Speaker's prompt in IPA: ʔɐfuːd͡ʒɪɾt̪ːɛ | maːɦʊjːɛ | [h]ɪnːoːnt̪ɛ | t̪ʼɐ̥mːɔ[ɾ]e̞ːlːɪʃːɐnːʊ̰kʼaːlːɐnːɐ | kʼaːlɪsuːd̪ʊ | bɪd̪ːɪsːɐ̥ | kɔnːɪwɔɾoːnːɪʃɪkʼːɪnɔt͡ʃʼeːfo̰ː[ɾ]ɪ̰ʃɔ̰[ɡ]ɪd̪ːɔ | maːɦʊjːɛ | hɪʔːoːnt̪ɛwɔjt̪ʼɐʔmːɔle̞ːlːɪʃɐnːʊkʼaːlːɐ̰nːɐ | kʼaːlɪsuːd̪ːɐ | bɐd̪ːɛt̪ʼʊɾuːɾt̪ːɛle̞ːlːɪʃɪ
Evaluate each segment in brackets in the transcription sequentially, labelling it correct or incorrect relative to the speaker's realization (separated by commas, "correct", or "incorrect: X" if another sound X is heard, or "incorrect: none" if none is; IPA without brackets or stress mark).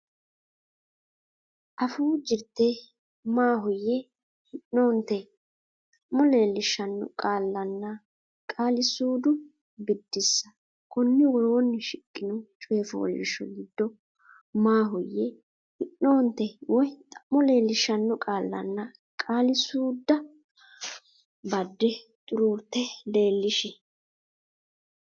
correct, incorrect: l, incorrect: l, correct